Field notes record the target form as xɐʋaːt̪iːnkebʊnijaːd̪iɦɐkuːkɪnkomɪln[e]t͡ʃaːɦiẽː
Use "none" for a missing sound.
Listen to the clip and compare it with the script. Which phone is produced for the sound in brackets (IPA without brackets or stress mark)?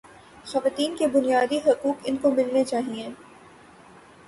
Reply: e